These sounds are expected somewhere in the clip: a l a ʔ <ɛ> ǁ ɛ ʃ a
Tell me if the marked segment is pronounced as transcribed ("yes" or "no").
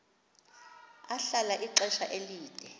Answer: no